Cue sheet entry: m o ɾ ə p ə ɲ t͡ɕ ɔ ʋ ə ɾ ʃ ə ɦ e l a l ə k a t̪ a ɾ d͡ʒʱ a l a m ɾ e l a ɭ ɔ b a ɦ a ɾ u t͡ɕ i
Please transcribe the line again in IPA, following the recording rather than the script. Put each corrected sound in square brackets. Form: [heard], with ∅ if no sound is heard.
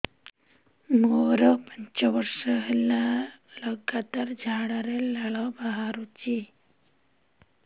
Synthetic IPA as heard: m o ɾ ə p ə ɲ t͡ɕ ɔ ʋ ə ɾ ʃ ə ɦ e l a l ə [ɡ] a t̪ a ɾ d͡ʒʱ a [ɽ] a [∅] ɾ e l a ɭ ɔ b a ɦ a ɾ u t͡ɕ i